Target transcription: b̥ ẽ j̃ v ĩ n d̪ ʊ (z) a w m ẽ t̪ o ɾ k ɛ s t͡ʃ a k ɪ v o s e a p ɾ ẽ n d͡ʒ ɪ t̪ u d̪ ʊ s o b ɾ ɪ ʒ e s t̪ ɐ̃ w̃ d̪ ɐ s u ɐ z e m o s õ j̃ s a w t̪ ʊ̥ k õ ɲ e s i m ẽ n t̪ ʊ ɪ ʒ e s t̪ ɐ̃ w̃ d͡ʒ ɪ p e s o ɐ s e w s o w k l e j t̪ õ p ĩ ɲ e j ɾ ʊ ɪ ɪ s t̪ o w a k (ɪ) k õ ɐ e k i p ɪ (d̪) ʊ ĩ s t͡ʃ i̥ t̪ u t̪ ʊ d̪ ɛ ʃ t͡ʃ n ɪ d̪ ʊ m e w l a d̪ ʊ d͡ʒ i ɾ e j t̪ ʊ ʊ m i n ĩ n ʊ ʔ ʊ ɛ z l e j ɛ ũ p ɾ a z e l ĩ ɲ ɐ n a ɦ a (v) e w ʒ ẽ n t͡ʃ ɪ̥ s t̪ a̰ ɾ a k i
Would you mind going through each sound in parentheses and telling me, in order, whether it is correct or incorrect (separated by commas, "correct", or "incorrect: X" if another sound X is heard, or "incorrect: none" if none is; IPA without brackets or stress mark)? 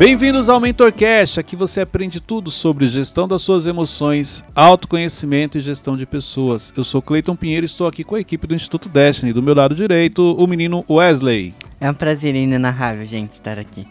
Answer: correct, incorrect: i, correct, correct